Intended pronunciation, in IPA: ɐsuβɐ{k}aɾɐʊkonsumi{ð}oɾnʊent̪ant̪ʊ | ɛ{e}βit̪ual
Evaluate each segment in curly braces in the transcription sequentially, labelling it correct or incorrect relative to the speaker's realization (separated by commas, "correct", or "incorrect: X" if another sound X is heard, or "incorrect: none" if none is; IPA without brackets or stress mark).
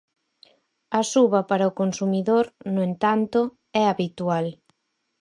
incorrect: p, correct, incorrect: a